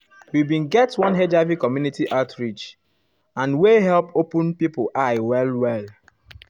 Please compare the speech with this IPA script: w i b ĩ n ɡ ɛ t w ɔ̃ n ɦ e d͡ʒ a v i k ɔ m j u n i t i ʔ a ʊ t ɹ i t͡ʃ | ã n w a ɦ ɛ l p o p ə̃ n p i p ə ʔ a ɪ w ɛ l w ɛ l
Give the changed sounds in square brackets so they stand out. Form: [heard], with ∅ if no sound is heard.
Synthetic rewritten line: w i b ĩ n ɡ ɛ t w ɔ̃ n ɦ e d͡ʒ a v i k ɔ m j u n i t i ʔ a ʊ t ɹ i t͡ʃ | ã n w [e] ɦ ɛ l p o p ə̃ n p i p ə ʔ a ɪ w ɛ l w ɛ l